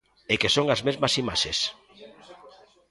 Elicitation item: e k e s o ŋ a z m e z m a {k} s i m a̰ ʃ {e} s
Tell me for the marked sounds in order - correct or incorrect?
incorrect: none, correct

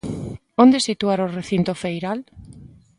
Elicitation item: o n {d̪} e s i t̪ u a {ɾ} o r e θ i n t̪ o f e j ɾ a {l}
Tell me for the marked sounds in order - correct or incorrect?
correct, correct, correct

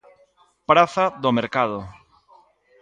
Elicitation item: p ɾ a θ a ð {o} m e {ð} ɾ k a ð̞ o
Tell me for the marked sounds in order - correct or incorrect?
correct, incorrect: none

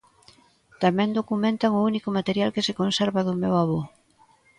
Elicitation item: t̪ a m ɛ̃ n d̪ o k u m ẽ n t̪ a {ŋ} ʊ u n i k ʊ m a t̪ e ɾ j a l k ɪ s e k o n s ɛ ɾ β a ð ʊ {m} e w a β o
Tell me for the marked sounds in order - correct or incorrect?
correct, correct

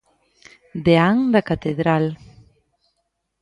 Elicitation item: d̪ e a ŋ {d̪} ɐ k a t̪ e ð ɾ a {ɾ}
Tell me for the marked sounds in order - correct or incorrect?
correct, incorrect: l

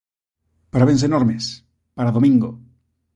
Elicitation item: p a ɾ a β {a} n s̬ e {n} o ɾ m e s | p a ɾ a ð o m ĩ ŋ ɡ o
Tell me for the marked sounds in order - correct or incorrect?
incorrect: e, correct

